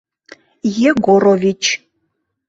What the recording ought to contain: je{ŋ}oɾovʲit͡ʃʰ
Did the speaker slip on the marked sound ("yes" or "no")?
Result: yes